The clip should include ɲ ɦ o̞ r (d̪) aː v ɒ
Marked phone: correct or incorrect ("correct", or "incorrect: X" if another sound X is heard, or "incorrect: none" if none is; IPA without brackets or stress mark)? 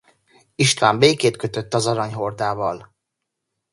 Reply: correct